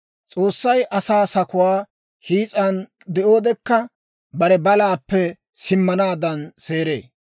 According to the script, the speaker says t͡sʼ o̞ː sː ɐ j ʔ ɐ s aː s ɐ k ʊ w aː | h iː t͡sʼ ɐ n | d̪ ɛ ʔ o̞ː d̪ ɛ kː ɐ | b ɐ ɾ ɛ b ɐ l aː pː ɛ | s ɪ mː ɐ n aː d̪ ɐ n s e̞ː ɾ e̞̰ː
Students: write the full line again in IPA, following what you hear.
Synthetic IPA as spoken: t͡sʼ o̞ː sː ɐ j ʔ ɐ s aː s ɐ k ʊ w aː | h iː t͡sʼ ɐ n | d̪ ɛ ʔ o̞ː d̪ ɛ kː ɐ | b ɐ ɾ ɛ b ɐ l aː pː ɛ | s ɪ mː ɐ n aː d̪ ɐ n s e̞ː ɾ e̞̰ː